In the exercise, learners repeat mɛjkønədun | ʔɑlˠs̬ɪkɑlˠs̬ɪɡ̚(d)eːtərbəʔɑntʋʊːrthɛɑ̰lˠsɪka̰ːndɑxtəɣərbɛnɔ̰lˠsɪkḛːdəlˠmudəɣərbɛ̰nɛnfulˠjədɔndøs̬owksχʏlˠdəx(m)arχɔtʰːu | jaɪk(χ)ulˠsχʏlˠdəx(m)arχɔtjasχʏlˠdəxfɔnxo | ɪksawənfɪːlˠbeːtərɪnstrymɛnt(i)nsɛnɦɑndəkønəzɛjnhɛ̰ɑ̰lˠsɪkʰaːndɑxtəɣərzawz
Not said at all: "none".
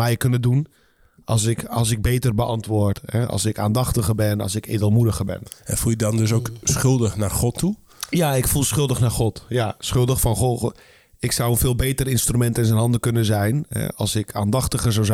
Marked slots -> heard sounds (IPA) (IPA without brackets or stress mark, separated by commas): b, n, f, n, ɪ